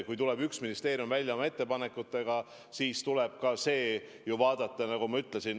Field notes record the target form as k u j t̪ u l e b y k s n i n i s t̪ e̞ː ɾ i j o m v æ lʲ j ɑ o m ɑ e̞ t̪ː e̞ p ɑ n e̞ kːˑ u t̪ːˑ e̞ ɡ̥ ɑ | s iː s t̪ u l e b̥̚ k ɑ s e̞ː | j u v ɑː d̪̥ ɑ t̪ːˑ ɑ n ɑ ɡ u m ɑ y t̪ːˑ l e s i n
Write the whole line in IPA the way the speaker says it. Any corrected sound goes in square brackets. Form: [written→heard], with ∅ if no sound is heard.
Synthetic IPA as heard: k u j t̪ u l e b y k s [n→m] i n i s t̪ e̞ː ɾ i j [o→u] m v æ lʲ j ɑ o m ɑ e̞ t̪ː e̞ p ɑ n e̞ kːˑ u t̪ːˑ e̞ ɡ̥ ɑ | s iː s t̪ u l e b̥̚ k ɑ s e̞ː | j u v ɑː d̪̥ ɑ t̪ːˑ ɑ n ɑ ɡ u m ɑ y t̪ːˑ l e s i n